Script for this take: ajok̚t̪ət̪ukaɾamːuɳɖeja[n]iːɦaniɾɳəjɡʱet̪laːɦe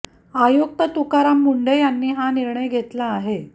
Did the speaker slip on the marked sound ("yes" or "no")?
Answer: yes